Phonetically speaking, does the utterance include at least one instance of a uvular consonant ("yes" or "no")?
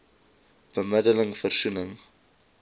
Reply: no